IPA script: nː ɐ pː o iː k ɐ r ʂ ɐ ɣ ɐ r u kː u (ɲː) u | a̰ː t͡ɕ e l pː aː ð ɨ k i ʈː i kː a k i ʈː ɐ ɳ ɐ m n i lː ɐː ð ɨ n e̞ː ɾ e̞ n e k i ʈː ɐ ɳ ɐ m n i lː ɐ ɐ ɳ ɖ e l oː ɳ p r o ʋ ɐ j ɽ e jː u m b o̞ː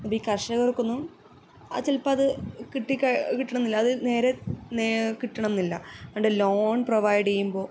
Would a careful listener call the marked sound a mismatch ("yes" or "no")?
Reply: yes